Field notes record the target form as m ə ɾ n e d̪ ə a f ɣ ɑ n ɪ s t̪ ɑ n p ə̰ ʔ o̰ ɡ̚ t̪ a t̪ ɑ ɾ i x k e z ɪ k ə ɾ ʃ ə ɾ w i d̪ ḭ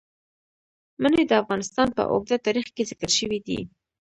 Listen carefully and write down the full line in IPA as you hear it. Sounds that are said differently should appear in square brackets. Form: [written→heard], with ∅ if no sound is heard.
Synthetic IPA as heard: m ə [ɾ→∅] n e d̪ ə a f ɣ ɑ n ɪ s t̪ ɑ n p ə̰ ʔ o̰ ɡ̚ [t̪→d̪] a t̪ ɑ ɾ i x k e z ɪ k ə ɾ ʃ ə [ɾ→∅] w i d̪ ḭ